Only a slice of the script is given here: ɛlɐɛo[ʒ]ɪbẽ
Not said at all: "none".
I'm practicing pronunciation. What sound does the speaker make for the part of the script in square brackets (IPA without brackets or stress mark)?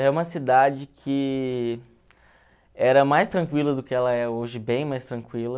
ʒ